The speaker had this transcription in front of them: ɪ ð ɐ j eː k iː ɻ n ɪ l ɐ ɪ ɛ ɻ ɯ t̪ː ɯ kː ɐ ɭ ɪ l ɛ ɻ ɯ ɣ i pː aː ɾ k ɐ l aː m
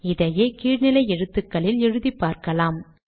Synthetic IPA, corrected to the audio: ɪ ð ɐ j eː k iː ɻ n ɪ l ɐ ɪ ɛ ɻ ɯ t̪ː ɯ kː ɐ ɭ ɪ l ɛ ɻ ɯ ð i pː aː ɾ k ɐ l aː m